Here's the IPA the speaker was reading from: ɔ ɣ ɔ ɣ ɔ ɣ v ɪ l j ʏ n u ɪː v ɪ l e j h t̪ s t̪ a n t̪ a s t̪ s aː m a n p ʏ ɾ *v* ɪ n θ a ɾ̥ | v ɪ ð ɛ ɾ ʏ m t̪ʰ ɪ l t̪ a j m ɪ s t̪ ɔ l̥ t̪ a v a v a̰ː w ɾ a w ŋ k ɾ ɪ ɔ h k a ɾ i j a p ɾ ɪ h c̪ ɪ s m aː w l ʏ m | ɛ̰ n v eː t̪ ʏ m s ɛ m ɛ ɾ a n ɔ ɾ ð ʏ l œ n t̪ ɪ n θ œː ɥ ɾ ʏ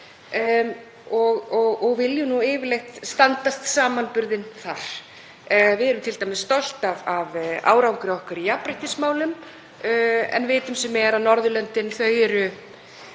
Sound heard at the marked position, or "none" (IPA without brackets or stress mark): ð